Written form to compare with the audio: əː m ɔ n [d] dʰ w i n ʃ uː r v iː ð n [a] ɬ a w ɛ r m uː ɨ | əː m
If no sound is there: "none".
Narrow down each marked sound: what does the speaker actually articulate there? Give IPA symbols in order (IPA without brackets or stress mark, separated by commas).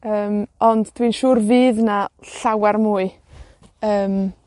d, a